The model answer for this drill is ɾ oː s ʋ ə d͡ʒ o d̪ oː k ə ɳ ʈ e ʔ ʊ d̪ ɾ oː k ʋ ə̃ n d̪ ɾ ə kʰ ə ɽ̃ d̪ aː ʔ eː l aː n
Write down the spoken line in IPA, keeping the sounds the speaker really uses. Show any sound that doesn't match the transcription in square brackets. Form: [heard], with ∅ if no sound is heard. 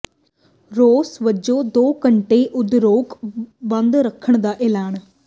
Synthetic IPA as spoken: ɾ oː s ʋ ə d͡ʒ o d̪ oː k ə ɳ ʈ e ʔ ʊ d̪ ɾ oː k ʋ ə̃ n d̪ ɾ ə kʰ ə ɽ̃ d̪ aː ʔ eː l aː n